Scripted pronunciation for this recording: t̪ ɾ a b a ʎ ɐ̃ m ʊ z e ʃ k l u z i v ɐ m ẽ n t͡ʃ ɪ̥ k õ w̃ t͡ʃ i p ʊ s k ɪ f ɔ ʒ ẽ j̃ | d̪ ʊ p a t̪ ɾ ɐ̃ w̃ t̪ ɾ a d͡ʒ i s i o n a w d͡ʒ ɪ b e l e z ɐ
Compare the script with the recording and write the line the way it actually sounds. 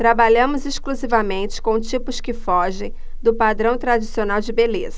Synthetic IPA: t̪ ɾ a b a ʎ ɐ̃ m ʊ z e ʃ k l u z i v ɐ m ẽ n t͡ʃ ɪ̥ k õ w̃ t͡ʃ i p ʊ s k ɪ f ɔ ʒ ẽ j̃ | d̪ ʊ p a d̪ ɾ ɐ̃ w̃ t̪ ɾ a d͡ʒ i s i o n a w d͡ʒ ɪ b e l e z ɐ